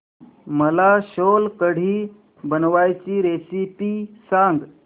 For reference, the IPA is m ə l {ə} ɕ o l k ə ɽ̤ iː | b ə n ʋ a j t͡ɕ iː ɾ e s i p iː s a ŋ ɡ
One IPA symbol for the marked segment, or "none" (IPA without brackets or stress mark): a